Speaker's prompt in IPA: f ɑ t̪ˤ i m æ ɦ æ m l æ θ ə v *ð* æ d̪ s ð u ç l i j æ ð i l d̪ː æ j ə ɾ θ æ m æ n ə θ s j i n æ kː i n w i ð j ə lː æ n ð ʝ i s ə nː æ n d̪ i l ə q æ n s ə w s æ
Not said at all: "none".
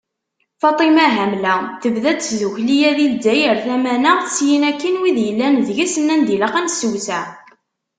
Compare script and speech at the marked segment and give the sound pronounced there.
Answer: ð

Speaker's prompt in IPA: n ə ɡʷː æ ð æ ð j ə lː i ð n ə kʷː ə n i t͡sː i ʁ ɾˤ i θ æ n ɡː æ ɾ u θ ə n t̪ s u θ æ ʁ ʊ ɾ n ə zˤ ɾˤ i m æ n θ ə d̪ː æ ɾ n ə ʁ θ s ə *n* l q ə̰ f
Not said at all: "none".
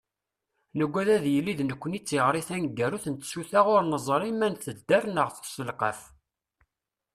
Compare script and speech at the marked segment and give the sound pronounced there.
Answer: none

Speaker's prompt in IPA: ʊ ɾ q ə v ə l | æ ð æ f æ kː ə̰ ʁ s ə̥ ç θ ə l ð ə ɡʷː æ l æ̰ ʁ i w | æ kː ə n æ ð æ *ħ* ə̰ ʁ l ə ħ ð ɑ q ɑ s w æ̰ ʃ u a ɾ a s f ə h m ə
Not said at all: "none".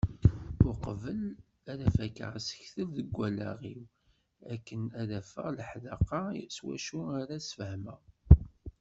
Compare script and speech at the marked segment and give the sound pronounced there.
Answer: f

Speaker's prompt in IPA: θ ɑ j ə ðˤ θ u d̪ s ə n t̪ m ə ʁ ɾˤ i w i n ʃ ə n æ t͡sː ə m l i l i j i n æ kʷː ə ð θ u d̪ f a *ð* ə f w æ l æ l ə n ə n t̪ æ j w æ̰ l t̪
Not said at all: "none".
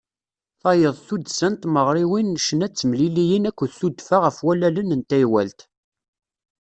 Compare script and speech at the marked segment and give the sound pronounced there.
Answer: ʁ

